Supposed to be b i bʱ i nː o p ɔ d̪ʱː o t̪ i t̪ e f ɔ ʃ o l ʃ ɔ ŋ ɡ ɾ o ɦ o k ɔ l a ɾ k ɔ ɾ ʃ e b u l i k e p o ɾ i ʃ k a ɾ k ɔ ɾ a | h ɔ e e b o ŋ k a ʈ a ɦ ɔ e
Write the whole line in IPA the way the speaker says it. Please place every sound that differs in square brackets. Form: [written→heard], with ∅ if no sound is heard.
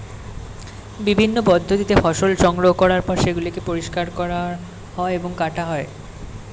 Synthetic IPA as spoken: b i bʱ i nː o p ɔ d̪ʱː o t̪ i t̪ e f ɔ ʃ o l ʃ ɔ ŋ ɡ ɾ o ɦ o k ɔ [l→ɾ] a ɾ [k→p] ɔ ɾ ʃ e [b→ɡ] u l i k e p o ɾ i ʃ k a ɾ k ɔ ɾ a | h ɔ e e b o ŋ k a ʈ a ɦ ɔ e